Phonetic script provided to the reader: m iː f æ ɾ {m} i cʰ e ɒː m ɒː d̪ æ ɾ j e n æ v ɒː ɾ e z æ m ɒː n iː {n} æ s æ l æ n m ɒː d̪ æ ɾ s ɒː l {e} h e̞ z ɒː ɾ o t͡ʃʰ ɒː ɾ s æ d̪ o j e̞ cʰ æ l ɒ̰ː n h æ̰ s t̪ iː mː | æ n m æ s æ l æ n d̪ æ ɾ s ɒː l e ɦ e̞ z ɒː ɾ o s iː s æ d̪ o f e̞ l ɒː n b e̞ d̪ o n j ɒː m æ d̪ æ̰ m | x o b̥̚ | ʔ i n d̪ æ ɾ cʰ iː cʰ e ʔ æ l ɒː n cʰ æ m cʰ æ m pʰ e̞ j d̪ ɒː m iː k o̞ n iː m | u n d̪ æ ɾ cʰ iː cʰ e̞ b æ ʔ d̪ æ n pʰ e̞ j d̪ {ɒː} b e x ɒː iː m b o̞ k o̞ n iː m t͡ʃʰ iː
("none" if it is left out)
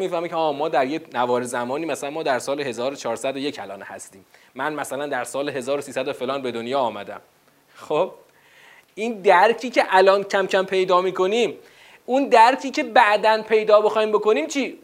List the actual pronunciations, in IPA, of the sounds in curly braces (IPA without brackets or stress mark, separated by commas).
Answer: m, m, e, ɒː